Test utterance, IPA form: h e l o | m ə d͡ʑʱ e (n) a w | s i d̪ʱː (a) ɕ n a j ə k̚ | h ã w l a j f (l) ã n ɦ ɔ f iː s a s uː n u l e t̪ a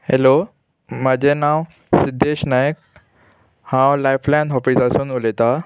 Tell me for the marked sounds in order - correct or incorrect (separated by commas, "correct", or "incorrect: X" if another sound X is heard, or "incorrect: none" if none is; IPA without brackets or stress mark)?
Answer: correct, incorrect: e, correct